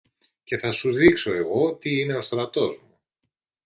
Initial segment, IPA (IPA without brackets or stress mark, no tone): c